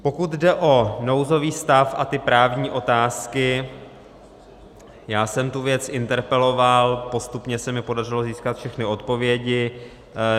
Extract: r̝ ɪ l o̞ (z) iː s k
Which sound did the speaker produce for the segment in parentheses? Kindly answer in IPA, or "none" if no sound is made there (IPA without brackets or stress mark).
z